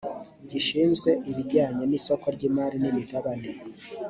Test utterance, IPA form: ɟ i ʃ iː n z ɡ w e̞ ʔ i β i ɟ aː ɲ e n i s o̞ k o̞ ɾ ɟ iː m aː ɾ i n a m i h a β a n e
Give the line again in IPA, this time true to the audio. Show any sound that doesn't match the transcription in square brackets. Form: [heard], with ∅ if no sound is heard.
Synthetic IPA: ɟ i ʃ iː n z ɡ w e̞ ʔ i β i ɟ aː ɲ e n i s o̞ k o̞ ɾ ɟ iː m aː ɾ i n [i] m i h a β a n e